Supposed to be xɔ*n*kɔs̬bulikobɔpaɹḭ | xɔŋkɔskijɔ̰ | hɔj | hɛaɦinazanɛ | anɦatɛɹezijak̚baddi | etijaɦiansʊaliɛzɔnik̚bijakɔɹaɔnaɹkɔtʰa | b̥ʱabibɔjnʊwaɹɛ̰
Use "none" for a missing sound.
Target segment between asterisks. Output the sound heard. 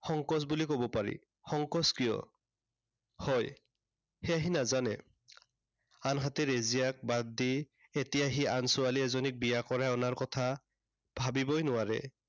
ŋ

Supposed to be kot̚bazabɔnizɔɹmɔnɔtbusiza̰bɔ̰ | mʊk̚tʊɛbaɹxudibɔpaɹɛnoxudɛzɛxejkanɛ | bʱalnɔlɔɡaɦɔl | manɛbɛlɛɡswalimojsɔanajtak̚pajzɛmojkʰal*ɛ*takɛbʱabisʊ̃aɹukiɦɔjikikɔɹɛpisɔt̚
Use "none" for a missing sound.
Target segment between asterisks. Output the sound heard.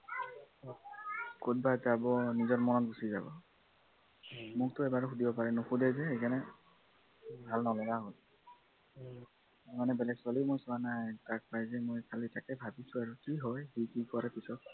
i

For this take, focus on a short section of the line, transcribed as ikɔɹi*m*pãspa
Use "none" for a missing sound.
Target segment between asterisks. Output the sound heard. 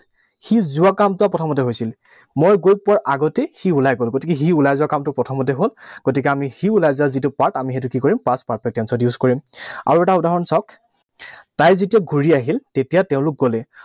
m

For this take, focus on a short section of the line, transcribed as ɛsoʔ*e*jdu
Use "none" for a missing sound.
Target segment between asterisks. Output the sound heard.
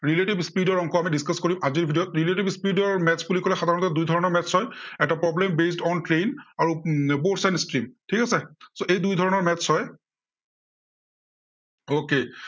e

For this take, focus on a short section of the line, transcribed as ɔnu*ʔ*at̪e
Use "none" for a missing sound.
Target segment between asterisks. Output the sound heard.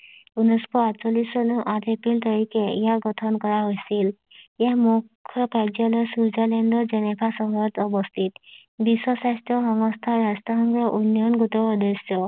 ʔ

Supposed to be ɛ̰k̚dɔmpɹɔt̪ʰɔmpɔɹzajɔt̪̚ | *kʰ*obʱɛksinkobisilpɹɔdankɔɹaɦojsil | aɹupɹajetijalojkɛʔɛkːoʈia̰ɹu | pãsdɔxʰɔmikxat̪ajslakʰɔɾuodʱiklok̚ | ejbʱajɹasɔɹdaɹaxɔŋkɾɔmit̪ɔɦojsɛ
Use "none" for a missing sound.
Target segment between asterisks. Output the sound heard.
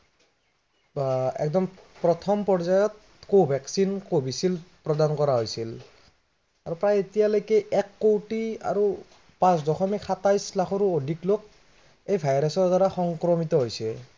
k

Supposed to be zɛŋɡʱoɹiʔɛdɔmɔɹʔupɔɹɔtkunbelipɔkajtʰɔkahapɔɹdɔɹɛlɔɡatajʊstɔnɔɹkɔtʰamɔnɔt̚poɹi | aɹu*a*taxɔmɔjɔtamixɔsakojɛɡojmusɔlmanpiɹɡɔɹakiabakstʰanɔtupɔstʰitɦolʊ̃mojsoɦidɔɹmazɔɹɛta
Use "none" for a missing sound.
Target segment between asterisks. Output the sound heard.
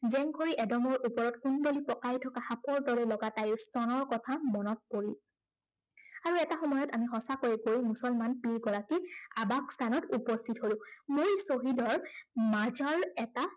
ɛ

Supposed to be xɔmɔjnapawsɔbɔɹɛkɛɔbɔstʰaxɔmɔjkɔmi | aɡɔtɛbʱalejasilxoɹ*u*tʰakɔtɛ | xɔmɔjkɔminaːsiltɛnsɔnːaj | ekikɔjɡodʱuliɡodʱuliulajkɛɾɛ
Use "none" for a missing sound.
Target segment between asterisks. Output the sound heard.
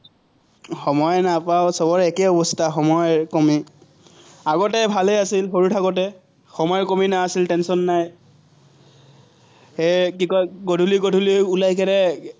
u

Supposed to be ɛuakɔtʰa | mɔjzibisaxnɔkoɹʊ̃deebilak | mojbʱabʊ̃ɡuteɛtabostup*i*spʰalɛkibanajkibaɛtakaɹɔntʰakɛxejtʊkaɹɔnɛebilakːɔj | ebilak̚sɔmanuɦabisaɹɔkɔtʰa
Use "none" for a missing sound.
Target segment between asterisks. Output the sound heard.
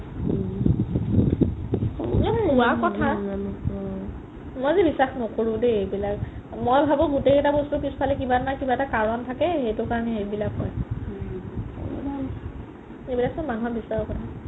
i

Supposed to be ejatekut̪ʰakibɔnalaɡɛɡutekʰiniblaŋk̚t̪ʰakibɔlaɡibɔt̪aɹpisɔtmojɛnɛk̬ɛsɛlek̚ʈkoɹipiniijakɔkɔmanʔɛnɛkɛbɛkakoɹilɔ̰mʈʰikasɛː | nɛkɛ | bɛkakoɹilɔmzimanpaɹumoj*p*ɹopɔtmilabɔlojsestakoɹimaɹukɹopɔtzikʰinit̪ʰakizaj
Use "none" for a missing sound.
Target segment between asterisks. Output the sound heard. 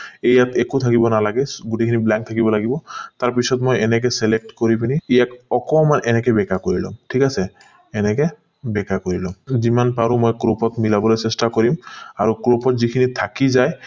k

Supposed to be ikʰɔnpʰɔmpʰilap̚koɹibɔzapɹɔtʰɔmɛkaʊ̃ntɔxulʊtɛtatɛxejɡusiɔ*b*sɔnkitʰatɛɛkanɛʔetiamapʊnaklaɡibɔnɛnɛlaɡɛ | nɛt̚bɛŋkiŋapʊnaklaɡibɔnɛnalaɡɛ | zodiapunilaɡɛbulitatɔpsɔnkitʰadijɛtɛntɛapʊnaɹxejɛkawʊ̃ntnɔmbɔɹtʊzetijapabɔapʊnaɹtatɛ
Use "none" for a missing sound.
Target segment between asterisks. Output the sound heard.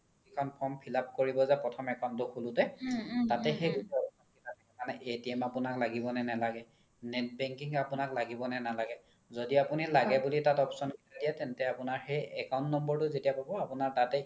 p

